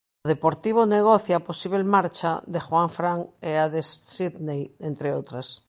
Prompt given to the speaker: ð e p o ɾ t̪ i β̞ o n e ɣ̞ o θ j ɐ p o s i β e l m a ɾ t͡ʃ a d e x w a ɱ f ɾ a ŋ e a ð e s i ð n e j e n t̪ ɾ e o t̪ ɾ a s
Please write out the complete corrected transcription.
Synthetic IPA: ð e p o ɾ t̪ i β̞ o n e ɣ̞ o θ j a p o s i β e l m a ɾ t͡ʃ a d e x w a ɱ f ɾ a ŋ e a ð e s i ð n e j e n t̪ ɾ e o t̪ ɾ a s